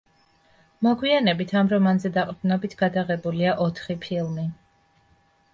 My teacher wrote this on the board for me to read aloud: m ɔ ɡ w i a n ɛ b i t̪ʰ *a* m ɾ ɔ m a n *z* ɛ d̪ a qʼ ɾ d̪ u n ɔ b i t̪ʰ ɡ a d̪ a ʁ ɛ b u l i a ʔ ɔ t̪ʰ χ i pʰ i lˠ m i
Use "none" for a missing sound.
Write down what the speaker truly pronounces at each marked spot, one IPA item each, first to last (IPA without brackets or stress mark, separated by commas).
a, z